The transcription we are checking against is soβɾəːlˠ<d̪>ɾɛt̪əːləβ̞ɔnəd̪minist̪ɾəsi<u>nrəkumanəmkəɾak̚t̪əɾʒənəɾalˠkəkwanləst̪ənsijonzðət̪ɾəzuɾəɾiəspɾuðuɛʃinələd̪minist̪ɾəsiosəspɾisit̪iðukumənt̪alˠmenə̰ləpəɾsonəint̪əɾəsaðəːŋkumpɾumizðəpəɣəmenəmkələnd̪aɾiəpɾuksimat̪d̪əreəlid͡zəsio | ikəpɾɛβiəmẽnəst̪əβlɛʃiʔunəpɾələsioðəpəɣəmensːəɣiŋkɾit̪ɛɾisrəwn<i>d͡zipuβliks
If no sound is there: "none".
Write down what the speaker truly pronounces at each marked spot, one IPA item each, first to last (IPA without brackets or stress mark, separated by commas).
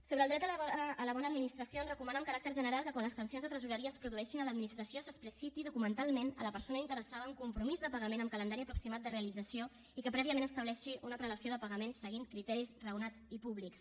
d̪, o, a